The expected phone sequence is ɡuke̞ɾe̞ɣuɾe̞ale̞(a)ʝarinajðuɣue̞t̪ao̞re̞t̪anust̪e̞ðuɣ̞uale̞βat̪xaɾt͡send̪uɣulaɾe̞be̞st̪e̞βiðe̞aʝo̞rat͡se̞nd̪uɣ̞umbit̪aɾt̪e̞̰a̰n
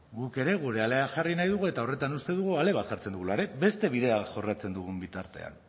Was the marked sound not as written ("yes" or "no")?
no